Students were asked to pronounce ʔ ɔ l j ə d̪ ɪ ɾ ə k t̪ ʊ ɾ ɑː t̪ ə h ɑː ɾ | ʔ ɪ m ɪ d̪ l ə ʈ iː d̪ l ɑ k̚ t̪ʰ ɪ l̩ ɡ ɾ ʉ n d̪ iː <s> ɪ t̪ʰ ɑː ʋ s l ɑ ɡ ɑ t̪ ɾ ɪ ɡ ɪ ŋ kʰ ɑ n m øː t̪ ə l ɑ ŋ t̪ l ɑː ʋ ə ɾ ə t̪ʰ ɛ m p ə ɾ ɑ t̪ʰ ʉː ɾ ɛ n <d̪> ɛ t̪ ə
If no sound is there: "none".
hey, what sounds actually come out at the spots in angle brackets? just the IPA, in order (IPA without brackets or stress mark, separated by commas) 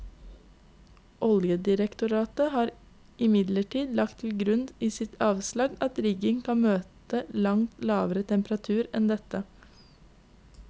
s, d̪